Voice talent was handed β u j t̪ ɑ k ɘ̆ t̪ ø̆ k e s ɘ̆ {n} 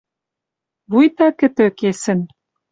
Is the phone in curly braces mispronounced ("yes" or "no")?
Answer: no